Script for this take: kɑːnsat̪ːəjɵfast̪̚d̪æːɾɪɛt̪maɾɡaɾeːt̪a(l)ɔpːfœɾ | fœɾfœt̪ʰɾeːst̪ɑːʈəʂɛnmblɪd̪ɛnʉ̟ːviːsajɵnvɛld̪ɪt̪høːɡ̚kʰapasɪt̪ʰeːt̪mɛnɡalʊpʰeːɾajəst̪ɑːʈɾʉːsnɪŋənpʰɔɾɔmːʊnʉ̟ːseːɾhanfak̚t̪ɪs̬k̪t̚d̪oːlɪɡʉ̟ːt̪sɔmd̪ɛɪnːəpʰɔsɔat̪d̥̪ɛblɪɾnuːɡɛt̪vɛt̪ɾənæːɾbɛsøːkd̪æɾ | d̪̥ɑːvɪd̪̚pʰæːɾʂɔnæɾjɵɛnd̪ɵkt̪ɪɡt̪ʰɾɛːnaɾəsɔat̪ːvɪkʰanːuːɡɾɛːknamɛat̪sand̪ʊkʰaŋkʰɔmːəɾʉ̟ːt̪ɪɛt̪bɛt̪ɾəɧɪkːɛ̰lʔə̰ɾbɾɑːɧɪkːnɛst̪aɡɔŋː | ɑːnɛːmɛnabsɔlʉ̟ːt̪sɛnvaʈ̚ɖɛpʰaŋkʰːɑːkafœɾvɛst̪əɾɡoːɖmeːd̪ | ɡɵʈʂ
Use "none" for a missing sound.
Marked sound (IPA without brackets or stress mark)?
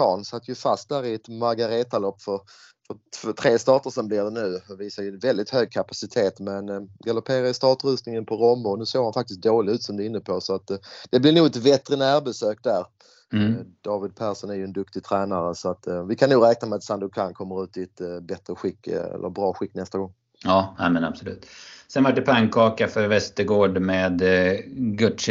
l